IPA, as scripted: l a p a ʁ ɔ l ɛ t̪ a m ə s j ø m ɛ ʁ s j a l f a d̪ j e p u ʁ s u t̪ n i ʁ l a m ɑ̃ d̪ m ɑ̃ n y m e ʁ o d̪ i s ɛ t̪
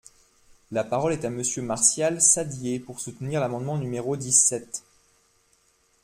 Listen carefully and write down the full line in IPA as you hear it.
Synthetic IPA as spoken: l a p a ʁ ɔ l ɛ t̪ a m ə s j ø m a ʁ s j a l s a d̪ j e p u ʁ s u t̪ n i ʁ l a m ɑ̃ d̪ m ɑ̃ n y m e ʁ o d̪ i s ɛ t̪